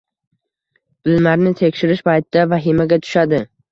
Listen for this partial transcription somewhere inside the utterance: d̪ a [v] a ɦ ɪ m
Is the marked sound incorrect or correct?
correct